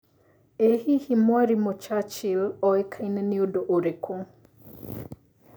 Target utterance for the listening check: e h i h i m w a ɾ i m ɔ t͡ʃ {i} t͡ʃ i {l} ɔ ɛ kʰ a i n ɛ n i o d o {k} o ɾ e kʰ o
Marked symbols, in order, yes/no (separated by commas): no, yes, no